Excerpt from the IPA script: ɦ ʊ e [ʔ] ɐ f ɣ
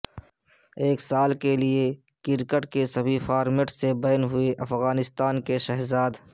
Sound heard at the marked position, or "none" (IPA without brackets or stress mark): ʔ